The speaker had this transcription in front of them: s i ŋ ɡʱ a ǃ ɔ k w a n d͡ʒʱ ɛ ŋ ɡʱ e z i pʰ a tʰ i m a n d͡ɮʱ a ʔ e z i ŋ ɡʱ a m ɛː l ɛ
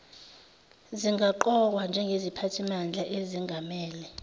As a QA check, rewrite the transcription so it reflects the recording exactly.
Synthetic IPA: z i ŋ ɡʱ a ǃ ɔ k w a n d͡ʒʱ ɛ ŋ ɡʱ e z i pʰ a tʰ i m a n d͡ɮʱ a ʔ e z i ŋ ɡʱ a m ɛː l ɛ